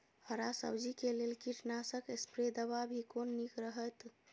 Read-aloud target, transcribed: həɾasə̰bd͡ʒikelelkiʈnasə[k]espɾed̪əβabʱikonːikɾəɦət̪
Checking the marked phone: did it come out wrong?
no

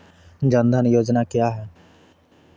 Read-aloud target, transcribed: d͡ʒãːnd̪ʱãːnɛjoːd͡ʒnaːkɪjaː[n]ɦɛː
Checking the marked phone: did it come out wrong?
yes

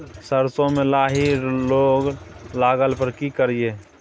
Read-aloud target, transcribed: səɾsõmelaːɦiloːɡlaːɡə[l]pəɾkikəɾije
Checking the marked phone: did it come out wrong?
no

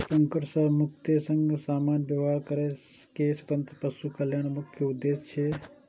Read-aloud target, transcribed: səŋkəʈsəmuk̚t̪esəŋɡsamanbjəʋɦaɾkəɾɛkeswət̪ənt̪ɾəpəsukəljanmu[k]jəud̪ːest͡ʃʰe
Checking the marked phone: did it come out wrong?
yes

